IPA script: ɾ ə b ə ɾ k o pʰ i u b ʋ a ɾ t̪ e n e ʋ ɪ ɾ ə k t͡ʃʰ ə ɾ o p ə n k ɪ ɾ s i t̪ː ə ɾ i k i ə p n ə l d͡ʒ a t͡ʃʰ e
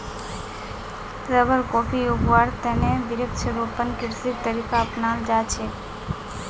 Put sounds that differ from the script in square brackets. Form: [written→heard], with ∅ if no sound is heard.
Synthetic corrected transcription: ɾ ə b ə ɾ k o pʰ i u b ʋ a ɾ t̪ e n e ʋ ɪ ɾ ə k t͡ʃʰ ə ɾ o p ə n k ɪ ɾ s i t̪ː ə ɾ i k [i→a] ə p n [ə→a] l d͡ʒ a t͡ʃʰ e